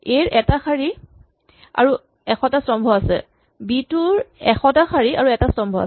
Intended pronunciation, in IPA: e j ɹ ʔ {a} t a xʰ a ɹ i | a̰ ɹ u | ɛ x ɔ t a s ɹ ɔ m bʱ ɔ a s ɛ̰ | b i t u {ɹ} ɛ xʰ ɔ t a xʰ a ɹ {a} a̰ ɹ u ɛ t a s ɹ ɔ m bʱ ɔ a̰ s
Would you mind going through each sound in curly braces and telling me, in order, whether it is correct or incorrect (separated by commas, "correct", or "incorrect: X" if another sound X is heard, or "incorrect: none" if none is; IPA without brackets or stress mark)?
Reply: incorrect: ɛ, correct, incorrect: i